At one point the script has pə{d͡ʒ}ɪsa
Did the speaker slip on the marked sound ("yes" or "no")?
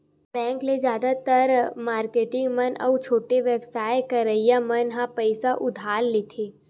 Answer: yes